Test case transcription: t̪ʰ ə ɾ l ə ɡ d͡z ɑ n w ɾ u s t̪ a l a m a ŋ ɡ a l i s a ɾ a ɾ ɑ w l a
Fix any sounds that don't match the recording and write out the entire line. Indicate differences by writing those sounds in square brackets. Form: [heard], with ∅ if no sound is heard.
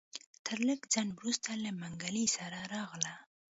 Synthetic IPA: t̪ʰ ə ɾ l ə ɡ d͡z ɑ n w ɾ u s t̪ a l a m a ŋ ɡ a l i s a ɾ a ɾ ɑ [ɣ] l a